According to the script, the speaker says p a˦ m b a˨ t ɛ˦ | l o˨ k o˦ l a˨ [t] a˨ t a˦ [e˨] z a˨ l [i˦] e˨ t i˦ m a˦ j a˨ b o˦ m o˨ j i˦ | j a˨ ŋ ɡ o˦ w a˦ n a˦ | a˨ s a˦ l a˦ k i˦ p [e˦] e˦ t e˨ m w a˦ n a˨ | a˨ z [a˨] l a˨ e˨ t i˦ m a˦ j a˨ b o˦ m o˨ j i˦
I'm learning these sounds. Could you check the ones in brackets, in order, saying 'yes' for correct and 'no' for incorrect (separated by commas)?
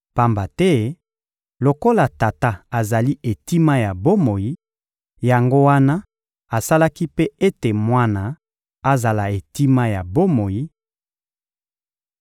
yes, no, yes, yes, yes